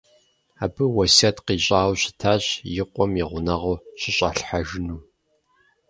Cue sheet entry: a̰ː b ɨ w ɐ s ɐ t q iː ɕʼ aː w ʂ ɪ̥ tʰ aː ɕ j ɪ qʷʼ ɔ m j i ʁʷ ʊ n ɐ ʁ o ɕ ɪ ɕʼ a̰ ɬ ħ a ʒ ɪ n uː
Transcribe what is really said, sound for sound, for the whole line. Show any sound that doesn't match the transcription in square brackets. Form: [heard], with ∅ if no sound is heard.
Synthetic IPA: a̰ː b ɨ w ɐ s ɐ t q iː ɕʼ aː w [ɕ] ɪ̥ tʰ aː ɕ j ɪ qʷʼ ɔ m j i ʁʷ ʊ n ɐ ʁ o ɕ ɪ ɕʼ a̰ ɬ ħ a ʒ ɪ n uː